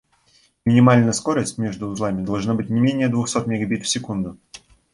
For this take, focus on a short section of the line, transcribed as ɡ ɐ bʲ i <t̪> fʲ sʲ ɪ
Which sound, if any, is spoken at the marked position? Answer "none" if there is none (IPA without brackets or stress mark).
t̪